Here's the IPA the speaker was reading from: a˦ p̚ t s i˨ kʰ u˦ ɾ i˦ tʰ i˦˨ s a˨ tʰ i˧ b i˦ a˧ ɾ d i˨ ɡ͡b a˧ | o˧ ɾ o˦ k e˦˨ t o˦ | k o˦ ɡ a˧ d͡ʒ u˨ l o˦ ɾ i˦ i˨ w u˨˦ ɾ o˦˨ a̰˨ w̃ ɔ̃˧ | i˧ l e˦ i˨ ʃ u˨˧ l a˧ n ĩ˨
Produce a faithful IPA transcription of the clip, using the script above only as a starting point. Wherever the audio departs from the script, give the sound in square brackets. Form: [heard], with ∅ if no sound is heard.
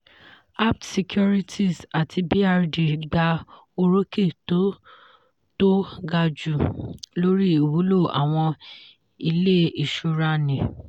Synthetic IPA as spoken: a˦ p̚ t s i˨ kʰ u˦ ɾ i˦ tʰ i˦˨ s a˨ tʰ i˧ b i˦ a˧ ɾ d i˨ ɡ͡b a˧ | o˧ ɾ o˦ k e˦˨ t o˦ | [t] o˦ ɡ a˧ d͡ʒ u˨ l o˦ ɾ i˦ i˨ w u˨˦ [l] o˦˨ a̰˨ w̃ ɔ̃˧ | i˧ l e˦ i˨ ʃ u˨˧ [ɾ] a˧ n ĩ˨